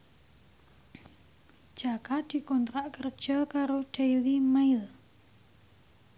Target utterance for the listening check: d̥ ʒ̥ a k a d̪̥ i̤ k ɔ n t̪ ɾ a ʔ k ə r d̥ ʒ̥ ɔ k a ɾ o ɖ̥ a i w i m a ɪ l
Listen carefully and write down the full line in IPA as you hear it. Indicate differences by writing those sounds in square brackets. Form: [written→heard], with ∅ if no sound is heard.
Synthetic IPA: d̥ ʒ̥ a k a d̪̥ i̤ k ɔ n t̪ ɾ a ʔ k ə r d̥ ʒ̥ ɔ k a ɾ o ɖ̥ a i w i m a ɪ l